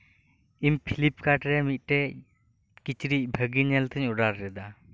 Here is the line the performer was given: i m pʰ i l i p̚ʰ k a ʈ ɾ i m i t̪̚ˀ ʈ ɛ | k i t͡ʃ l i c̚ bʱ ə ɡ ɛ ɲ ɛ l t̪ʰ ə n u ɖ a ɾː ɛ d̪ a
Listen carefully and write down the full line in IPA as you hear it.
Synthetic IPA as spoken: i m pʰ i l i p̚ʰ k a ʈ ɾ ɛ m i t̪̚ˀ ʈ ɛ | k i t͡ʃ ɾ i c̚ bʱ ə ɡ i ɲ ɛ l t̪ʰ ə ɲ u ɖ a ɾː ɛ d̪ a